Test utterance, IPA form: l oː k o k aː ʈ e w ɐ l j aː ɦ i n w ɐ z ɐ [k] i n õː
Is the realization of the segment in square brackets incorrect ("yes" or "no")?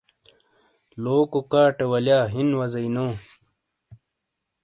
yes